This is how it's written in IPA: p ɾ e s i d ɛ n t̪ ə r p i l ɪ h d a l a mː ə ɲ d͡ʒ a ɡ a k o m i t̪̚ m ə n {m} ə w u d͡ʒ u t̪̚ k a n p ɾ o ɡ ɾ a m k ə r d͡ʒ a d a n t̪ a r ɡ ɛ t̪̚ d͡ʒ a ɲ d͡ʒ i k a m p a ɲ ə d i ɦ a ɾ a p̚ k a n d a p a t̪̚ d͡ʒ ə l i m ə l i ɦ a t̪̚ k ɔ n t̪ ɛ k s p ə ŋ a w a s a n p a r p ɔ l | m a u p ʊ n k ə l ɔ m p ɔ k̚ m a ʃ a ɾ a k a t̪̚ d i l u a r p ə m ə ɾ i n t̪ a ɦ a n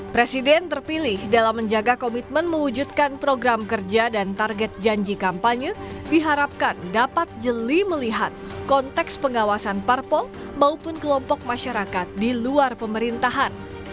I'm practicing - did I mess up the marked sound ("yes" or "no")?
no